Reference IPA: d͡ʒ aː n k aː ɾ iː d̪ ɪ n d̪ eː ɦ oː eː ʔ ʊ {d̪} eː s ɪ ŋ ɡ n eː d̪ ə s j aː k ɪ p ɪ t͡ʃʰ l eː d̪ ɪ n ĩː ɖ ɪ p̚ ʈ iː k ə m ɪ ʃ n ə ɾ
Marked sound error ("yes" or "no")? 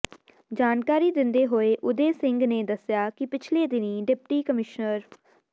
no